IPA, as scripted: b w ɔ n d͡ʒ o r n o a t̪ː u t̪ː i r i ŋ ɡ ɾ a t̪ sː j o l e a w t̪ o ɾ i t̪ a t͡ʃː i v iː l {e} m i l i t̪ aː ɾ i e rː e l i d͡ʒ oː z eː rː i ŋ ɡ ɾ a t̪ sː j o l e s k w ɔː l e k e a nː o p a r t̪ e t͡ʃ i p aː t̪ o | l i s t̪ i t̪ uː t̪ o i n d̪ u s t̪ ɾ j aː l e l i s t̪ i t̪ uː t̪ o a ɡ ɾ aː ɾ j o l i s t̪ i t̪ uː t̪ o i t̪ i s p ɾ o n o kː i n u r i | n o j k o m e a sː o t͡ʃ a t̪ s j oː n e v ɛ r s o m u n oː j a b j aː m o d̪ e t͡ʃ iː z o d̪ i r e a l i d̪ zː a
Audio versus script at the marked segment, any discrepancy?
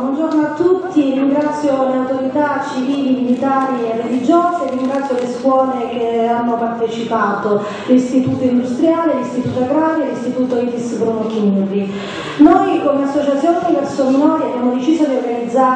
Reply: yes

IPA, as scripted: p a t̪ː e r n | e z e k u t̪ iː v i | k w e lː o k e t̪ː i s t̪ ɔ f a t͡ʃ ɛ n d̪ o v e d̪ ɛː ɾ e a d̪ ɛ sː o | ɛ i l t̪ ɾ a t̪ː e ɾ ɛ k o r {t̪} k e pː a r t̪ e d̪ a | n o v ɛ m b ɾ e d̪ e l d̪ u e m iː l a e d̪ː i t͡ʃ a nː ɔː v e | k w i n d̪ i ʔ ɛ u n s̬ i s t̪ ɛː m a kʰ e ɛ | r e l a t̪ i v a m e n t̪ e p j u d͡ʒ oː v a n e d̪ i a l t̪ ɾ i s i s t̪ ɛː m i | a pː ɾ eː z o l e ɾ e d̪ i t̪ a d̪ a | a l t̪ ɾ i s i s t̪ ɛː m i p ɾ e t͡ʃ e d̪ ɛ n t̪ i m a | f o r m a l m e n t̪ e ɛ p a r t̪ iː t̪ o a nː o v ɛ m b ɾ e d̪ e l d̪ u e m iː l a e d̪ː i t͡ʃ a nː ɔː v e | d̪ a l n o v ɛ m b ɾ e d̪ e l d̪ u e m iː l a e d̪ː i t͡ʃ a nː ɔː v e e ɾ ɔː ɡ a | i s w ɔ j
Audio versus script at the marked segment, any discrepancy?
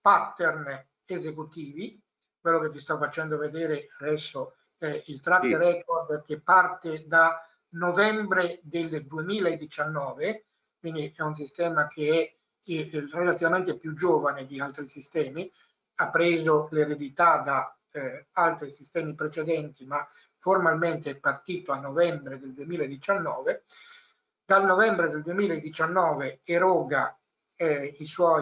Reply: yes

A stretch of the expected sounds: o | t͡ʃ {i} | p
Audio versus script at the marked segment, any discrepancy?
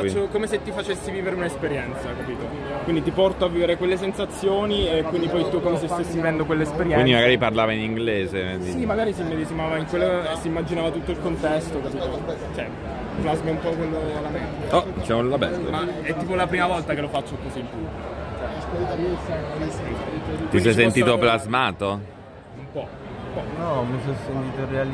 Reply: yes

